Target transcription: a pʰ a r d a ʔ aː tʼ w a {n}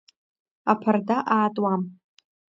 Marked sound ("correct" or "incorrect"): incorrect